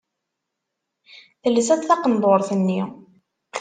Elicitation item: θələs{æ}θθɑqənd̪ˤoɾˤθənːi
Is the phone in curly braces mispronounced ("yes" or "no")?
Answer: no